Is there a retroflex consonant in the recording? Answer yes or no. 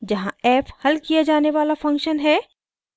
no